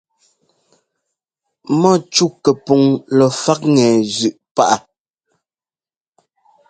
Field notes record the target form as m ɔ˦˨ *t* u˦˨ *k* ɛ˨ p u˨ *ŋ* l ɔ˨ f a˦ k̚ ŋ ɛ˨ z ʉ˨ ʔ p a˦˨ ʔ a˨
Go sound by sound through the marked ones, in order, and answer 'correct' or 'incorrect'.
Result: incorrect: t͡ʃ, correct, correct

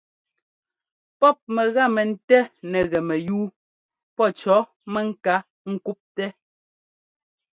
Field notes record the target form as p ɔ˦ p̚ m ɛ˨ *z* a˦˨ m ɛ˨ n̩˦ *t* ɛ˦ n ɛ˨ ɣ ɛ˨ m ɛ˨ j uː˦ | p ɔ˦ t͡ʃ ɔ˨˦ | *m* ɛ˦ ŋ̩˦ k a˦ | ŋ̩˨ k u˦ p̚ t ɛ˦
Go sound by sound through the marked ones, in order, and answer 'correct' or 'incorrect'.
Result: incorrect: ɣ, correct, correct

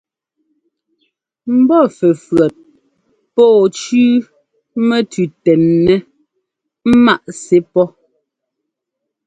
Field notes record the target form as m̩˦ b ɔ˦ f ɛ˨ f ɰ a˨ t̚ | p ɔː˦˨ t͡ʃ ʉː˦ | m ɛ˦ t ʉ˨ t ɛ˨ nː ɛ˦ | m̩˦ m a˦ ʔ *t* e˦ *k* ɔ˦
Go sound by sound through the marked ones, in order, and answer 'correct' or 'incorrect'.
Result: incorrect: s, incorrect: p

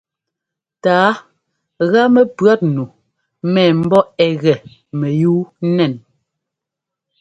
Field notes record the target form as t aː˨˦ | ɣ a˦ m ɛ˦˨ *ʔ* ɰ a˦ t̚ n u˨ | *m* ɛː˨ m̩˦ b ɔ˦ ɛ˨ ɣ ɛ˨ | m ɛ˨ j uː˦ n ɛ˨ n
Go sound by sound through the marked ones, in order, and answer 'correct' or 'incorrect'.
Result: incorrect: p, correct

